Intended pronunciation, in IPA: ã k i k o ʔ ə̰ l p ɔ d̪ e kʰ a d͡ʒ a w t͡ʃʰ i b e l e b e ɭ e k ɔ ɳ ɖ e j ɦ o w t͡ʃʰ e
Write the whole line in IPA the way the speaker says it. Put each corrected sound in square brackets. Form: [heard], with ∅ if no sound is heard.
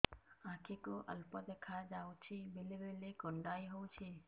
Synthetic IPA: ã [kʰ] i k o ʔ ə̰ l p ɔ d̪ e kʰ a d͡ʒ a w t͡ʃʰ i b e l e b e [l] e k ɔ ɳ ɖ [a] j ɦ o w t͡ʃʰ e